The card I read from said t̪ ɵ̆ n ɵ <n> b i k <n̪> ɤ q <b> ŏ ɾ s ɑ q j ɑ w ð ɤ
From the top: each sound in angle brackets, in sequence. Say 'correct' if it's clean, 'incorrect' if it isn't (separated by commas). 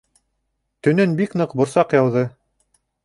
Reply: correct, correct, correct